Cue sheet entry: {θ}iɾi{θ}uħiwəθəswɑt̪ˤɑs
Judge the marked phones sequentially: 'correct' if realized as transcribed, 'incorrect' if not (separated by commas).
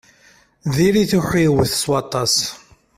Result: incorrect, correct